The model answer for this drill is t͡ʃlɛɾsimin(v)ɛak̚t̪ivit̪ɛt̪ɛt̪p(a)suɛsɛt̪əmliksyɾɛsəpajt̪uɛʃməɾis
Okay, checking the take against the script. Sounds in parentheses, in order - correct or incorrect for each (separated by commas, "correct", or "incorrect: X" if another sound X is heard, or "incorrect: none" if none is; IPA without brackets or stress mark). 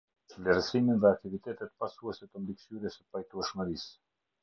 incorrect: ð, correct